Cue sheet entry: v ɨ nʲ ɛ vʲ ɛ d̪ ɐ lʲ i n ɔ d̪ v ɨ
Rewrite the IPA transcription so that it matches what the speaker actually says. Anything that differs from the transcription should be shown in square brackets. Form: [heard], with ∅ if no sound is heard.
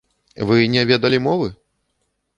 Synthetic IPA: v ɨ nʲ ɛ vʲ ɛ d̪ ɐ lʲ i [m] ɔ [∅] v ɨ